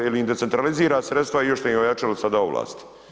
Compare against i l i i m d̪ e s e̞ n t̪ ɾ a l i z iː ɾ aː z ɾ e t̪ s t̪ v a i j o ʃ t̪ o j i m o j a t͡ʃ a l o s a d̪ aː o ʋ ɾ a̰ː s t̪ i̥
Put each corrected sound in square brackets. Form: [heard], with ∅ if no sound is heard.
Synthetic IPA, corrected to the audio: i l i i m d̪ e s e̞ n t̪ ɾ a l i z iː ɾ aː [s] ɾ e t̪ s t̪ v a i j o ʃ t̪ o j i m o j a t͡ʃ a l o s a d̪ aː o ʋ [l] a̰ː s t̪ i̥

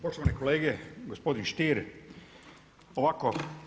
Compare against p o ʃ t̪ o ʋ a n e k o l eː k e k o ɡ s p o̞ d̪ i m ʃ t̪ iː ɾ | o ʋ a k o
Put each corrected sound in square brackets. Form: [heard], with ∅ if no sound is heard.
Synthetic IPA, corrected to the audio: p o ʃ t̪ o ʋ a n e k o l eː [ɡ] e [ɡ] o [∅] s p o̞ d̪ i [n] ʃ t̪ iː ɾ | o ʋ a k o

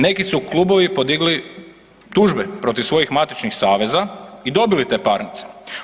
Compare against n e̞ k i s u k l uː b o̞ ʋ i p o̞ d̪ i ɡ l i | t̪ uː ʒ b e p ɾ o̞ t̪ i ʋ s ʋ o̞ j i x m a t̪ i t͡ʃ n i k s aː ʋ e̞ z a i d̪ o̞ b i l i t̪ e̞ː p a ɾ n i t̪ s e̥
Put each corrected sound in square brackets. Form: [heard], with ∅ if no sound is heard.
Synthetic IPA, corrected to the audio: n e̞ k i s u k l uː b o̞ ʋ i p o̞ d̪ i ɡ l i | t̪ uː ʒ b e p ɾ o̞ t̪ i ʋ s ʋ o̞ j i x m a t̪ i t͡ʃ n i [x] s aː ʋ e̞ z a i d̪ o̞ b i l i t̪ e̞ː p a ɾ n i t̪ s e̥

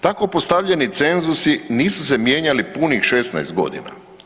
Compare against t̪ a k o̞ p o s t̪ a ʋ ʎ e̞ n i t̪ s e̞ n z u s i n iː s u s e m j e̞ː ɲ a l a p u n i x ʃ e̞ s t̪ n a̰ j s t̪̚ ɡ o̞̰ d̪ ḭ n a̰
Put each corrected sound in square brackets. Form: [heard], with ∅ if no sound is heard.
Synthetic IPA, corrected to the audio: t̪ a k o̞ p o s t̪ a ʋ ʎ e̞ n i t̪ s e̞ n z u s i n iː s u s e m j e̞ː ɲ a l [i] p u n i x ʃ e̞ s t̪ n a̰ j s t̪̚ ɡ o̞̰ d̪ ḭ n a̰

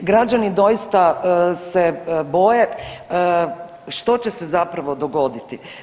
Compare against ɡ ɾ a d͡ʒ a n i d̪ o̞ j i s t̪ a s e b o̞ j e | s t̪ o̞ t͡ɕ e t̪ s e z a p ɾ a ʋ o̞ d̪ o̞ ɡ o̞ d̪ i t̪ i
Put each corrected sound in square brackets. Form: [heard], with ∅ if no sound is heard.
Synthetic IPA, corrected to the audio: ɡ ɾ a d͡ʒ a n i d̪ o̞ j i s t̪ a s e b o̞ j e | [ʃ] t̪ o̞ t͡ɕ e [∅] s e z a p ɾ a ʋ o̞ d̪ o̞ ɡ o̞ d̪ i t̪ i

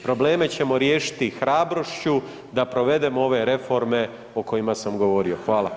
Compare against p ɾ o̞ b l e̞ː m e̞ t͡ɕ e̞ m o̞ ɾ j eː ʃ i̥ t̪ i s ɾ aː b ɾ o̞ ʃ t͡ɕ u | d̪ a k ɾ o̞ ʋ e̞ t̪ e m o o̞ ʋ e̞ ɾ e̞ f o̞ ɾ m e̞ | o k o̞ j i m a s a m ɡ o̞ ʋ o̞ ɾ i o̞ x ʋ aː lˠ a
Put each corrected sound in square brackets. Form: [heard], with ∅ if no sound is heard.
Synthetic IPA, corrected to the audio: p ɾ o̞ b l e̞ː m e̞ t͡ɕ e̞ m o̞ ɾ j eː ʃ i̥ t̪ i [x] ɾ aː b ɾ o̞ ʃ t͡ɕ u | d̪ a [p] ɾ o̞ ʋ e̞ [d̪] e m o o̞ ʋ e̞ ɾ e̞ f o̞ ɾ m e̞ | o k o̞ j i m a s a m ɡ o̞ ʋ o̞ ɾ i o̞ x ʋ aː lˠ a

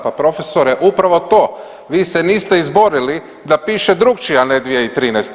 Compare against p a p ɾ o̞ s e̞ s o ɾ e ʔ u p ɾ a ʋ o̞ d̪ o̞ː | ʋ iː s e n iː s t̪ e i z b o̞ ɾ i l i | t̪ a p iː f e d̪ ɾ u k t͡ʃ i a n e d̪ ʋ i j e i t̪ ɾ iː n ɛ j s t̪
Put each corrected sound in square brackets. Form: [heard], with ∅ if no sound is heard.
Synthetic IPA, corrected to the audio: p a p ɾ o̞ [f] e̞ s o ɾ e ʔ u p ɾ a ʋ o̞ [t̪] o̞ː | ʋ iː s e n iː s t̪ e i z b o̞ ɾ i l i | [d̪] a p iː [ʃ] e d̪ ɾ u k t͡ʃ i a n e d̪ ʋ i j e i t̪ ɾ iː n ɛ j s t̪

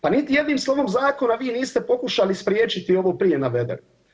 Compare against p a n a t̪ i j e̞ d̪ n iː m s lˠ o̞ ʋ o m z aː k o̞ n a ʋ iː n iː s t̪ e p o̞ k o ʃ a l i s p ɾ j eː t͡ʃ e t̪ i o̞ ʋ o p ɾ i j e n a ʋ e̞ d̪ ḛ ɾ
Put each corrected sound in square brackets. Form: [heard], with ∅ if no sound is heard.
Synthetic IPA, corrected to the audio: p a n [i] t̪ i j e̞ d̪ n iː m s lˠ o̞ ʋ o m z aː k o̞ n a ʋ iː n iː s t̪ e p o̞ k [u] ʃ a l i s p ɾ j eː t͡ʃ [i] t̪ i o̞ ʋ o p ɾ i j e n a ʋ e̞ d̪ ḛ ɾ

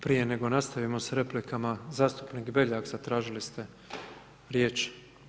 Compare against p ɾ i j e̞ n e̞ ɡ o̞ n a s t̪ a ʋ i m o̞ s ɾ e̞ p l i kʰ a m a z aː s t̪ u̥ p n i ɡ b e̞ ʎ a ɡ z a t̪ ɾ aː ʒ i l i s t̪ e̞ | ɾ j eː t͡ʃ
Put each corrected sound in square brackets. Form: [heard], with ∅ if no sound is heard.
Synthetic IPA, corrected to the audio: p ɾ i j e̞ n e̞ ɡ o̞ n a s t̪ a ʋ i m o̞ s ɾ e̞ p l i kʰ a m a z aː s t̪ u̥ p n i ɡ b e̞ ʎ a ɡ z a t̪ ɾ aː ʒ i l i s t̪ e̞ | ɾ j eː t͡ʃ

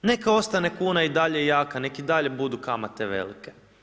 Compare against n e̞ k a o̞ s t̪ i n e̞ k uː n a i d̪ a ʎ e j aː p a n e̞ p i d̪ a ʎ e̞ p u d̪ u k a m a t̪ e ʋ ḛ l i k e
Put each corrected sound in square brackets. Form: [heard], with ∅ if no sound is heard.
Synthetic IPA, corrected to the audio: n e̞ k a o̞ s t̪ [a] n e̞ k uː n a i d̪ a ʎ e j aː [k] a n e̞ [k] i d̪ a ʎ e̞ [b] u d̪ u k a m a t̪ e ʋ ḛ l i k e

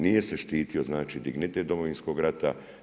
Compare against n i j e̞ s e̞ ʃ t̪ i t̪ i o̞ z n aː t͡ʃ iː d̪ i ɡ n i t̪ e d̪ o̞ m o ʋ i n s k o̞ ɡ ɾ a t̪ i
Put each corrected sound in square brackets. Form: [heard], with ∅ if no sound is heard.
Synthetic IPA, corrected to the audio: n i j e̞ s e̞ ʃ t̪ [iː] t̪ i o̞ z n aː t͡ʃ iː d̪ i ɡ n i t̪ e d̪ o̞ m o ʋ i n s k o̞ ɡ ɾ a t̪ [a]

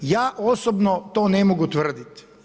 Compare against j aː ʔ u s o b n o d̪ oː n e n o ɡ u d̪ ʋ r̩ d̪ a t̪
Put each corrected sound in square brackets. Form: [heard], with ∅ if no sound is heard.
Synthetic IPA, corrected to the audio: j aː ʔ [o] s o b n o [t̪] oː n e [m] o ɡ u [t̪] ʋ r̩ d̪ [i] t̪

